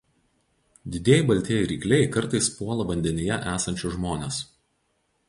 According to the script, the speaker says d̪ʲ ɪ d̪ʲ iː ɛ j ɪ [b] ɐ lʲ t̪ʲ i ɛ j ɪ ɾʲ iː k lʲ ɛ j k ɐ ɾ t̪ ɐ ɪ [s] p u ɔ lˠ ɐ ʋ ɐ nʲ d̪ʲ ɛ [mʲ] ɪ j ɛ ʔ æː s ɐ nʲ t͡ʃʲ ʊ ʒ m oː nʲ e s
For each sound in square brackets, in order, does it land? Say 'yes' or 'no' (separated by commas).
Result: yes, yes, no